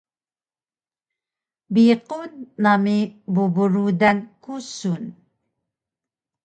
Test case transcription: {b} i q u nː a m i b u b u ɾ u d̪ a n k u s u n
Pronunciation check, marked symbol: correct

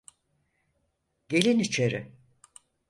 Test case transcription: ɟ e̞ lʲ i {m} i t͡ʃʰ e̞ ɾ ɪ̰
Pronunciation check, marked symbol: incorrect: n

